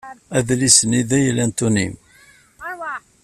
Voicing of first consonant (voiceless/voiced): voiced